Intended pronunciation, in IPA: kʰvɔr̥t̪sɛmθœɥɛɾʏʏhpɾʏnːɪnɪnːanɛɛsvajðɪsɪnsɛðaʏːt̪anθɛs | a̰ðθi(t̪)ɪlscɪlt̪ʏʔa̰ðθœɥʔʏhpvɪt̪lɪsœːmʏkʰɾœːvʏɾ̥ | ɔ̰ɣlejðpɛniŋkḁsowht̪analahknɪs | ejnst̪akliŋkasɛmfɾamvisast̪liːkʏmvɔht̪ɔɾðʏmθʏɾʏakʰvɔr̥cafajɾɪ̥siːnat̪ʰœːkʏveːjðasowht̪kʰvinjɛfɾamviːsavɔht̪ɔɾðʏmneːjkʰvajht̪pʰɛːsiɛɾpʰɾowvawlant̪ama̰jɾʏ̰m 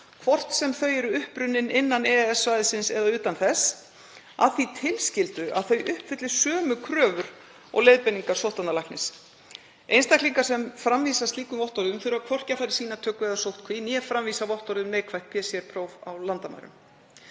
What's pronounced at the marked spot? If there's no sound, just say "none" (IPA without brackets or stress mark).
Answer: t̪ʰ